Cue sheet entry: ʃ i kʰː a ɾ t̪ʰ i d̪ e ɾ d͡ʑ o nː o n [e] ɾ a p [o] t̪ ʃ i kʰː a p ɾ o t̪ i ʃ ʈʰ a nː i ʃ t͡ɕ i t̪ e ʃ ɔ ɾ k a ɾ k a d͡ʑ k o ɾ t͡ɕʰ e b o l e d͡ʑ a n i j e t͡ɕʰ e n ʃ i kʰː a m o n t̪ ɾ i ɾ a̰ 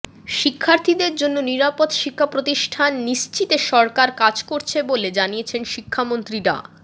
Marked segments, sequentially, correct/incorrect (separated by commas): incorrect, correct